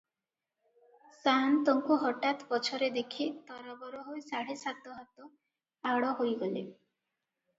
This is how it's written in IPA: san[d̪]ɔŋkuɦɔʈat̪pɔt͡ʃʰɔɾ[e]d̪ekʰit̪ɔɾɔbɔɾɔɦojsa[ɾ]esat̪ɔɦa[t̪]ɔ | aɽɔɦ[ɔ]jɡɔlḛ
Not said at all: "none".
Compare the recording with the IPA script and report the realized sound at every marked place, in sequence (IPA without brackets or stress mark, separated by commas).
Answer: t̪, e, ɽ, t̪, o